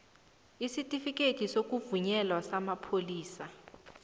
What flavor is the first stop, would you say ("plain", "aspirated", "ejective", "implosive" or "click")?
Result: ejective